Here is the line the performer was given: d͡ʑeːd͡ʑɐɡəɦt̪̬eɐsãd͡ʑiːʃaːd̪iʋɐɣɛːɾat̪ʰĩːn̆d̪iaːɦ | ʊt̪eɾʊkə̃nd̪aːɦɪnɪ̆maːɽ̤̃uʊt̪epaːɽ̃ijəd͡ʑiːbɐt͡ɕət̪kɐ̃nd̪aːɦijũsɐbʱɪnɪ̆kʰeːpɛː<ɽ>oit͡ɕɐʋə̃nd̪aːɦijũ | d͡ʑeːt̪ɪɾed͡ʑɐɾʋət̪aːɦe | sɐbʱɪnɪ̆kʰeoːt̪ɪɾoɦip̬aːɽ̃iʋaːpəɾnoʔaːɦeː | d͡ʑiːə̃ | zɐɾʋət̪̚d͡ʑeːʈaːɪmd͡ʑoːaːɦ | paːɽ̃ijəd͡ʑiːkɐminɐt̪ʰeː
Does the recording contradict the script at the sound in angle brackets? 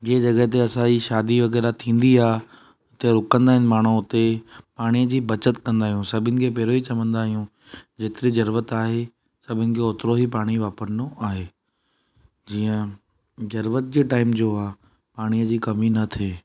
yes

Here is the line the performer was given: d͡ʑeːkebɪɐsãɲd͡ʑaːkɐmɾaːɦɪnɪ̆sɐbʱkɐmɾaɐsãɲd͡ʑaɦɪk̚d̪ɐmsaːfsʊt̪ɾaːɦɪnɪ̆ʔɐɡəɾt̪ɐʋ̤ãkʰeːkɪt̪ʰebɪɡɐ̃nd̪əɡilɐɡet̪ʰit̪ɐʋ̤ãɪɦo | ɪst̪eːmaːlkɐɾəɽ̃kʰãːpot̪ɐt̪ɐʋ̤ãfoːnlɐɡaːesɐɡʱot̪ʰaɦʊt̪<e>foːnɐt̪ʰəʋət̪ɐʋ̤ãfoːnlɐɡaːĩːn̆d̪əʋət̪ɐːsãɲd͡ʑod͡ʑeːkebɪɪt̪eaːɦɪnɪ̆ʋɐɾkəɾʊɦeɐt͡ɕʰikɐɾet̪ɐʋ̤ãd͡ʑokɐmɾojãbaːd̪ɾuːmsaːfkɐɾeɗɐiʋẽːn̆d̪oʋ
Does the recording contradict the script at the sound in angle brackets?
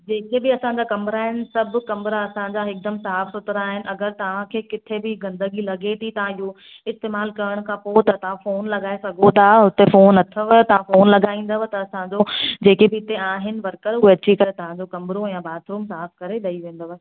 no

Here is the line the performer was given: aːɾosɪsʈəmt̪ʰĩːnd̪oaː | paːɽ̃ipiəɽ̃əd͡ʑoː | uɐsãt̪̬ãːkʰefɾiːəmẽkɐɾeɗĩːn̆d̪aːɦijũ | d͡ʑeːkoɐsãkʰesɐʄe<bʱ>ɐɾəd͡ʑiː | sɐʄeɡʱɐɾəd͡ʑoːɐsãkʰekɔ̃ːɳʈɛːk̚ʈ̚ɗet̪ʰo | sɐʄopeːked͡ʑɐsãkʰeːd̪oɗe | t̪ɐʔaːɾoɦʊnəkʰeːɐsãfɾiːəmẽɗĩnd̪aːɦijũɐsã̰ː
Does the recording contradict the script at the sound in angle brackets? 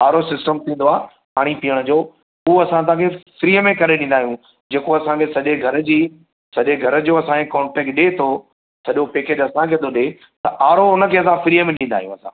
yes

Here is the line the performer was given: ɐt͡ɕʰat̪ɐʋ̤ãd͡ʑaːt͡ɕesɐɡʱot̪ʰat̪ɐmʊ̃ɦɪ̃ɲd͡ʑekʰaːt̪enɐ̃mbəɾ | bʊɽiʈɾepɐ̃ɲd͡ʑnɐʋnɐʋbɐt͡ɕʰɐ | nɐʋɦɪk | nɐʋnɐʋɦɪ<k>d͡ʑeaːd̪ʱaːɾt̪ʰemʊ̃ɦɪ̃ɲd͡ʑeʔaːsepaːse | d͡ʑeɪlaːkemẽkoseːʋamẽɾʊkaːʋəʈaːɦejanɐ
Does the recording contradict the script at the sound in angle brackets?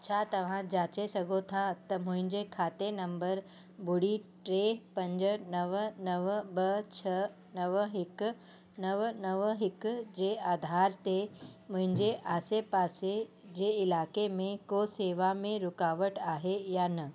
no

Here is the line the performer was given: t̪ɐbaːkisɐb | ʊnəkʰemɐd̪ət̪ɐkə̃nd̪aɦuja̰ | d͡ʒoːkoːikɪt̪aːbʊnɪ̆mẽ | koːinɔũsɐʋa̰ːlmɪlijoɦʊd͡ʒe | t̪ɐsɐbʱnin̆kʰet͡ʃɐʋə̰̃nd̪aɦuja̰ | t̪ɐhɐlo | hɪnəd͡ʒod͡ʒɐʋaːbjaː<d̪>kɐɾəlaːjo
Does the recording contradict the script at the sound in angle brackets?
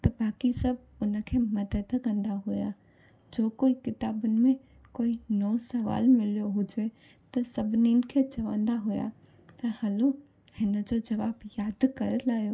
no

